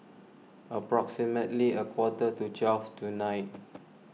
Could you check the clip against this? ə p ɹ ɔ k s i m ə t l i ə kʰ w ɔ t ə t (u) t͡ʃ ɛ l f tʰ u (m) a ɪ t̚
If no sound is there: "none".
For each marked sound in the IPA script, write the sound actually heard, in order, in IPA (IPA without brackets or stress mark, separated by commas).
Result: u, n